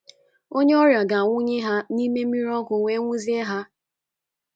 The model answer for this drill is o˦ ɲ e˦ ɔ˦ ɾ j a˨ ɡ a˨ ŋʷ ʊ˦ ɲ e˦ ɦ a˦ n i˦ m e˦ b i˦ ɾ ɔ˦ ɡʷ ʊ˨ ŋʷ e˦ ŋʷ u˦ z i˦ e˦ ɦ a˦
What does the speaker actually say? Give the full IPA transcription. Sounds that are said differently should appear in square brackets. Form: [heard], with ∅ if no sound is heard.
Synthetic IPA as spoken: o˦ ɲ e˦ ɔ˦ ɾ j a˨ ɡ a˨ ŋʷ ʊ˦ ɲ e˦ ɦ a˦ n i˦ m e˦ [m] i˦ ɾ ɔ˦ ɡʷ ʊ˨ ŋʷ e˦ ŋʷ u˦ z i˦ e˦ ɦ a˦